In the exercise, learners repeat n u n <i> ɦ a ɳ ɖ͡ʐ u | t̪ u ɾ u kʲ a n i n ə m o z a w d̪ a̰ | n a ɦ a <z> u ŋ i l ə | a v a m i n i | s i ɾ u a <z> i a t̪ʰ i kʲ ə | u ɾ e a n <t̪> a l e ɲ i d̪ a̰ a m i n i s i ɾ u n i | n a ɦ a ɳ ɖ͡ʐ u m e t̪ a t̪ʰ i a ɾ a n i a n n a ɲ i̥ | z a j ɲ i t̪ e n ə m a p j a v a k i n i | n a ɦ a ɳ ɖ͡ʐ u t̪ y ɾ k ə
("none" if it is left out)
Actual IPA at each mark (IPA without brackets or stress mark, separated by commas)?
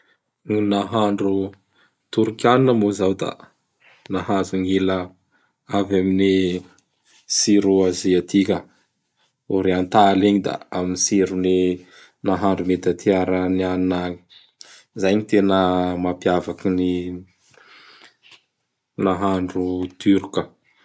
a, z, z, t̪